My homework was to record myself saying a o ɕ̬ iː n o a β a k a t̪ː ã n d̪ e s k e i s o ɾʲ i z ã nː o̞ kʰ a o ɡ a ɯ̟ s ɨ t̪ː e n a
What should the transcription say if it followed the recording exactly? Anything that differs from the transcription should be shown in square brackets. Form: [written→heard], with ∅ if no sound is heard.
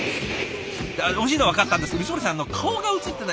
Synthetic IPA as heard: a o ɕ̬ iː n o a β a k a t̪ː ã n d̪ e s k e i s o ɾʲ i [z→s] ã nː o̞ kʰ a o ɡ a ɯ̟ [s→t͡s] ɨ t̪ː e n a